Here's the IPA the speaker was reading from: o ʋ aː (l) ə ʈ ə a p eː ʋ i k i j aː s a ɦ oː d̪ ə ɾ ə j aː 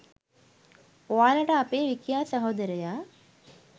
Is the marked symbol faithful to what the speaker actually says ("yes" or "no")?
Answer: yes